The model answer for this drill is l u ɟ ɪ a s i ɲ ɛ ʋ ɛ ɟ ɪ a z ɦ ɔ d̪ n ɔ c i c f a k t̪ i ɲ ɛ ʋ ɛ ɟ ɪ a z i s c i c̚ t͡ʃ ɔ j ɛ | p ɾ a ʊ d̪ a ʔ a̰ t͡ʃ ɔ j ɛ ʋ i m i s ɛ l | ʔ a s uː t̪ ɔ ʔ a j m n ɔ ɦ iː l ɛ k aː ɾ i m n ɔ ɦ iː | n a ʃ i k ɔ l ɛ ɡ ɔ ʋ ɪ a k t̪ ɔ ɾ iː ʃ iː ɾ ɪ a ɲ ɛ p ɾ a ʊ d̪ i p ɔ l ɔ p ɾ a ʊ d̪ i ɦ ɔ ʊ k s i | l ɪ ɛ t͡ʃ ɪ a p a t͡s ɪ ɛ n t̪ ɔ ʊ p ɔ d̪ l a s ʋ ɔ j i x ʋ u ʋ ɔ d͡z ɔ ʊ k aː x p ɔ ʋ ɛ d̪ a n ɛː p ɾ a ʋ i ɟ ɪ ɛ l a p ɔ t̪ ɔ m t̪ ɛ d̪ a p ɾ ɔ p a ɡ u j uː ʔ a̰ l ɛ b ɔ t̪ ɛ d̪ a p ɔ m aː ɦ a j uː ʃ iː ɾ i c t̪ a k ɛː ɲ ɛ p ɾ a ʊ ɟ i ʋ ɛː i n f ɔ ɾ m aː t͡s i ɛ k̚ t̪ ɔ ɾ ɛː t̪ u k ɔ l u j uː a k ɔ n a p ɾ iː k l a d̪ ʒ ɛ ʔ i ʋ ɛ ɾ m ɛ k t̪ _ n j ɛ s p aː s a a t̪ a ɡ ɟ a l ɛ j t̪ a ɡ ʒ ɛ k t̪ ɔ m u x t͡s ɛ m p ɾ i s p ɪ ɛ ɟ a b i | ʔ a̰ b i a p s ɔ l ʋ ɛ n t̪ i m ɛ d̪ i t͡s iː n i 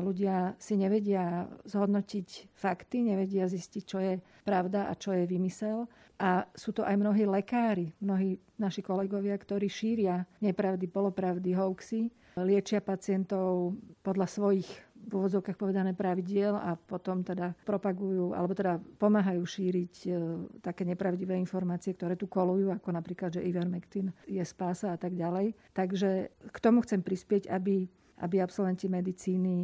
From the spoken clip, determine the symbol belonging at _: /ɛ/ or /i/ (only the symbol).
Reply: i